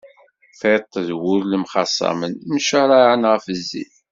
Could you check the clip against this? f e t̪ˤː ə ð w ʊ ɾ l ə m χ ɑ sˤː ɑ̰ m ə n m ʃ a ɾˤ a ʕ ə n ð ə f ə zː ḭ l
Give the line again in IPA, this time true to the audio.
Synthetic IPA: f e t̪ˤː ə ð w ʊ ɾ l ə m χ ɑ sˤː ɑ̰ m ə n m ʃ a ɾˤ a ʕ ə n ʁ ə f ə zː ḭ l